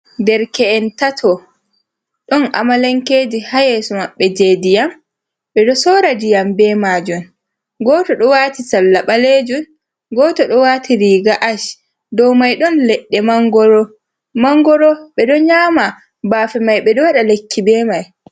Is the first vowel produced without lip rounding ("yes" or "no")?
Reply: yes